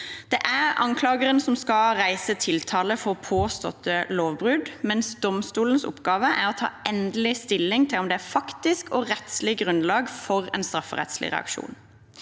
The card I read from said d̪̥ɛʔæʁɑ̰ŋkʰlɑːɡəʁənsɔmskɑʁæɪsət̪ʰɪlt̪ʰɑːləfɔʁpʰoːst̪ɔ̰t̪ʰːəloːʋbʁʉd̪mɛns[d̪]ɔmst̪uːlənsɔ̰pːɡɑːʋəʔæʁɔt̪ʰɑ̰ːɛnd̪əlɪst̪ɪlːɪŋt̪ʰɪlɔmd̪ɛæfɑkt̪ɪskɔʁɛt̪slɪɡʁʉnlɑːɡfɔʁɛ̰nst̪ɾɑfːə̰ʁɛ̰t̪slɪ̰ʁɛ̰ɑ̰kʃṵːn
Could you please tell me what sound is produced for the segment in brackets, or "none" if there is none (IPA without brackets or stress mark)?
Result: d̪